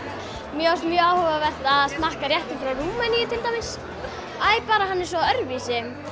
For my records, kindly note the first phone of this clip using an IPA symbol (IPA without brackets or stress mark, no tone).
m